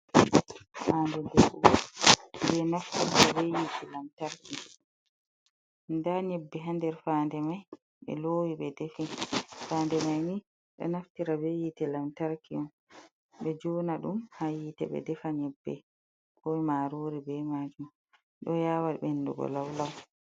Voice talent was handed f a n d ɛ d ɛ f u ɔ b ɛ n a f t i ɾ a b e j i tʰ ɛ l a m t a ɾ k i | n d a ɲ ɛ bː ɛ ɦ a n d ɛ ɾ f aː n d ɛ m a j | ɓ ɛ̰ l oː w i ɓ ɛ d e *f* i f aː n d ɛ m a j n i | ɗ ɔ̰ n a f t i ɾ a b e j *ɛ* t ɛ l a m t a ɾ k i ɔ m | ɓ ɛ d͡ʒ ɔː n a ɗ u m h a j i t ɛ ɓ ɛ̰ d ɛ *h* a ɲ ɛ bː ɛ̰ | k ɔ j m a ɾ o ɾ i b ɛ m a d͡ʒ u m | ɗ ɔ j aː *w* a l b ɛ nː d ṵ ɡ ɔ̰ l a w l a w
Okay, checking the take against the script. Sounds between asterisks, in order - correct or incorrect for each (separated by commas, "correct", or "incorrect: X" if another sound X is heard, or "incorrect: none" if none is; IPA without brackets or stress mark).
correct, incorrect: i, incorrect: f, correct